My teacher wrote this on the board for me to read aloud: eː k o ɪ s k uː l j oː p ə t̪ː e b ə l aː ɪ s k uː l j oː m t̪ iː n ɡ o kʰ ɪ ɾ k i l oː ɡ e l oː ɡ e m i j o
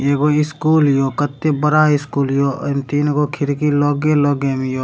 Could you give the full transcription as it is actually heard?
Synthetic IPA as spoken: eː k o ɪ s k uː l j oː k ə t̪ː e b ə ɾ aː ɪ s k uː l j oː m t̪ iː n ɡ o kʰ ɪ ɾ k i l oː ɡ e l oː ɡ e m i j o